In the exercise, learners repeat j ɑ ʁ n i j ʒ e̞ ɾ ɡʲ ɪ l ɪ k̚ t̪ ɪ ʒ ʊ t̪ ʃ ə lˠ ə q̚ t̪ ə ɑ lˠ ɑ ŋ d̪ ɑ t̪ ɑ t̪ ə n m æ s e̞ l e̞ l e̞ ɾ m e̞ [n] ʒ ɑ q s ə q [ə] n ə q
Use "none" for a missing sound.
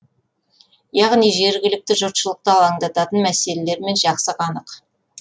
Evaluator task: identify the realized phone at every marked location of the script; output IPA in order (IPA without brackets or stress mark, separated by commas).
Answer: n, ɑ